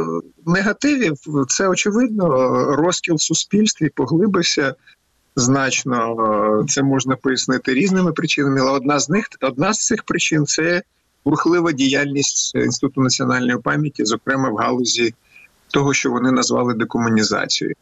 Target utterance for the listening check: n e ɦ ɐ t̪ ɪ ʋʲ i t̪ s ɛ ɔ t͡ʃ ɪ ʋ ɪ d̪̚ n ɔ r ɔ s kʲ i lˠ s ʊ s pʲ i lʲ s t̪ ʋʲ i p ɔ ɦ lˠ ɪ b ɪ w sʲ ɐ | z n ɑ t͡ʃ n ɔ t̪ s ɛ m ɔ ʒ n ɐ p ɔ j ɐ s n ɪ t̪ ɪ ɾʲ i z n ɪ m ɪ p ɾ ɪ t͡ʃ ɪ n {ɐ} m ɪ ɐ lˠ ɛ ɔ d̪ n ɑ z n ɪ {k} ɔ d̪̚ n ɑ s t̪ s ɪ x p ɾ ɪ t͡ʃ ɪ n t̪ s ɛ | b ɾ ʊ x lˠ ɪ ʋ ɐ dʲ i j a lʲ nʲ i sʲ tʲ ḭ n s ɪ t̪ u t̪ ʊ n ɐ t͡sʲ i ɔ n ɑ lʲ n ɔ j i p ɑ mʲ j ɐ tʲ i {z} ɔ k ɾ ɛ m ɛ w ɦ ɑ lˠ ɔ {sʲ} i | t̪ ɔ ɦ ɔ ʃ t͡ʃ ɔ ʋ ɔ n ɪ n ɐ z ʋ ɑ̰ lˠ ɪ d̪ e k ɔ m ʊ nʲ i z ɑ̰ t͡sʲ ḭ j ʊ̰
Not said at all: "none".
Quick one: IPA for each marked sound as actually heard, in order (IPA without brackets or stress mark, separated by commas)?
ɐ, x, z, zʲ